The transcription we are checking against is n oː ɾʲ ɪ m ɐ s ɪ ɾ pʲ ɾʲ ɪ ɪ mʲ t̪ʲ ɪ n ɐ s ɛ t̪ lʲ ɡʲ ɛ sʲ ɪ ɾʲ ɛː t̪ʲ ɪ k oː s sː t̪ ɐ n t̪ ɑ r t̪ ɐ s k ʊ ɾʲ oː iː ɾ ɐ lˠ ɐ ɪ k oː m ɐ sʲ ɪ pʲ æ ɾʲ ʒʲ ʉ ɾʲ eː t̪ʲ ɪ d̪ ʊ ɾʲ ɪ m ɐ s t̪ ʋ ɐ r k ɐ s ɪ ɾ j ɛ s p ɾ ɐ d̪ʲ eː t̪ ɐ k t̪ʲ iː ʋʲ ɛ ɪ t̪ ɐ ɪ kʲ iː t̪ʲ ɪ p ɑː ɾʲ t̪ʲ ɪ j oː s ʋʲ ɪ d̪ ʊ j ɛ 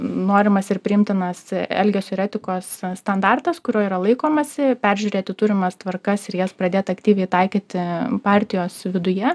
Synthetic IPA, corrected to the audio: n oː ɾʲ ɪ m ɐ s ɪ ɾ pʲ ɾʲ ɪ ɪ mʲ t̪ʲ ɪ n ɐ s ɛ lʲ ɡʲ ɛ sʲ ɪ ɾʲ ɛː t̪ʲ ɪ k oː s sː t̪ ɐ n d̪ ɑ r t̪ ɐ s k ʊ ɾʲ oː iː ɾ ɐ lˠ ɐ ɪ k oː m ɐ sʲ ɪ pʲ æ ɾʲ ʒʲ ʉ ɾʲ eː t̪ʲ ɪ t̪ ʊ ɾʲ ɪ m ɐ s t̪ ʋ ɐ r k ɐ s ɪ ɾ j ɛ s p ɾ ɐ d̪ʲ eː t̪ ɐ k t̪ʲ iː ʋʲ ɛ ɪ t̪ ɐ ɪ kʲ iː t̪ʲ ɪ p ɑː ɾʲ t̪ʲ ɪ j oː s ʋʲ ɪ d̪ ʊ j ɛ